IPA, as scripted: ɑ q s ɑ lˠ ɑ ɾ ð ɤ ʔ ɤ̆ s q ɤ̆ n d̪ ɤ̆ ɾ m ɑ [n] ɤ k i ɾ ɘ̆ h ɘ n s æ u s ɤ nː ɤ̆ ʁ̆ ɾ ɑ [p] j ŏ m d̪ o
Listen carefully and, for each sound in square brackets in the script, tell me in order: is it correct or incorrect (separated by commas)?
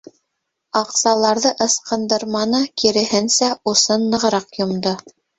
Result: correct, incorrect